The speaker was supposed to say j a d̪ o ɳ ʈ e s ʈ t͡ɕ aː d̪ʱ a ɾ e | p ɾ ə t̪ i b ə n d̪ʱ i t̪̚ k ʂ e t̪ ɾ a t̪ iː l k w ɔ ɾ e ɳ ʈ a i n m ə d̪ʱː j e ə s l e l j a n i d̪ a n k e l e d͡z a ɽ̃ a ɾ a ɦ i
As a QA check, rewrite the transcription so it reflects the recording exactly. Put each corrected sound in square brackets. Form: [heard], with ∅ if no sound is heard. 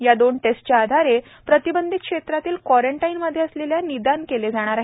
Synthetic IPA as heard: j a d̪ o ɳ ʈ e s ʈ t͡ɕ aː d̪ʱ a ɾ e | p ɾ ə t̪ i b ə n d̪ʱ i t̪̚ k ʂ e t̪ ɾ a t̪ iː l k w ɔ ɾ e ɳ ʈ a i n m ə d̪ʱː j e ə s l e l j a n i d̪ a n k e l e d͡z a ɽ̃ a ɾ a ɦ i